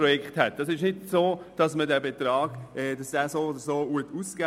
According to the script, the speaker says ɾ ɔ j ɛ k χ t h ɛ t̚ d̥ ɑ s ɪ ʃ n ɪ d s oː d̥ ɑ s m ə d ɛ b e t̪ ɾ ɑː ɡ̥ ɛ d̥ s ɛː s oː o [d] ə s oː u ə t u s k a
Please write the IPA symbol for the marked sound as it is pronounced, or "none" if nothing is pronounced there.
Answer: d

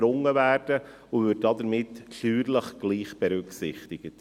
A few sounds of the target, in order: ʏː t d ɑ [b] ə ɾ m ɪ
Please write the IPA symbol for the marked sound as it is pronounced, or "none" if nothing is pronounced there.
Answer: d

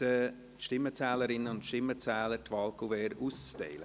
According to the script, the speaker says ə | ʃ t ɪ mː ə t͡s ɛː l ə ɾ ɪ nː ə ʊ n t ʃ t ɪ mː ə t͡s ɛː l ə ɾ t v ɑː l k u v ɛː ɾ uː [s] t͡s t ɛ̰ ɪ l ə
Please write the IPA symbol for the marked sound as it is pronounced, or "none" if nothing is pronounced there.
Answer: s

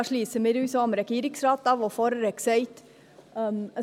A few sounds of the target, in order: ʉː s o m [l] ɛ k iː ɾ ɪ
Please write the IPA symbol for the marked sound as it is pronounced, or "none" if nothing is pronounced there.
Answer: ɾ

